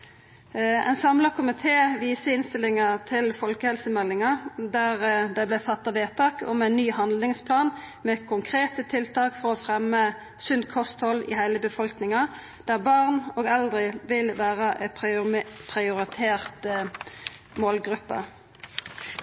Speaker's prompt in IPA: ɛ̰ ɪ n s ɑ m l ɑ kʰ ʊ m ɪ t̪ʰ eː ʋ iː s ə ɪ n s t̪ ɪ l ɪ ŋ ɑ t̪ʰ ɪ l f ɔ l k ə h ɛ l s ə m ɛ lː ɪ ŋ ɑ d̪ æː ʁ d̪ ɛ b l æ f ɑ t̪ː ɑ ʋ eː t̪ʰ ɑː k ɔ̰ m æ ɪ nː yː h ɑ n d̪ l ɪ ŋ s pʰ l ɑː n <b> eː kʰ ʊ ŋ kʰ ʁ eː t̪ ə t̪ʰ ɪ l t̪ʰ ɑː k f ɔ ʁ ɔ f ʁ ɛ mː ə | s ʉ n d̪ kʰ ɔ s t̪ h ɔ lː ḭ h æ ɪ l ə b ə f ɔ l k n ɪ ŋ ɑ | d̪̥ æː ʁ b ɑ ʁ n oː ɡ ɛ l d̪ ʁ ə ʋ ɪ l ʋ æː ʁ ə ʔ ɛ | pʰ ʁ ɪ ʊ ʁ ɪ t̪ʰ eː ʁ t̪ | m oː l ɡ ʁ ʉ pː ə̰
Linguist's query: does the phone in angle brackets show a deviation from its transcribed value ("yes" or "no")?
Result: yes